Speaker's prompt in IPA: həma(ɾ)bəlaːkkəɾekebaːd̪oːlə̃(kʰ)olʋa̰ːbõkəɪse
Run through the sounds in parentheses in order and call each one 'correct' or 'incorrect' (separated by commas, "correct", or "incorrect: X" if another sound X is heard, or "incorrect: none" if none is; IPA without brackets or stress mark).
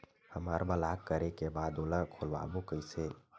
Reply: correct, correct